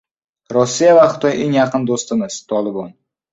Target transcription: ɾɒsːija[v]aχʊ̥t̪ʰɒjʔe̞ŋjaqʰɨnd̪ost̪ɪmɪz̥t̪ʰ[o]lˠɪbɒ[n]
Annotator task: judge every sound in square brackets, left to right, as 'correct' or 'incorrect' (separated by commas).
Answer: correct, incorrect, correct